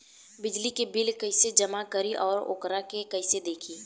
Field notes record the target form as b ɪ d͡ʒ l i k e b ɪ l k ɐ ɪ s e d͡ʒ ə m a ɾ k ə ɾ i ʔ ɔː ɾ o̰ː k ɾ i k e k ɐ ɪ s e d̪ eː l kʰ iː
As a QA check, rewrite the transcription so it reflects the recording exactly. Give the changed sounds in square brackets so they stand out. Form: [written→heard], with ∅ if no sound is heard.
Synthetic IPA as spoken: b ɪ d͡ʒ l i k e b ɪ l k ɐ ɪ s e d͡ʒ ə m a [ɾ→∅] k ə ɾ i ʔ ɔː ɾ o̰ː k ɾ [i→a] k e k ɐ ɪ s e d̪ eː [l→∅] kʰ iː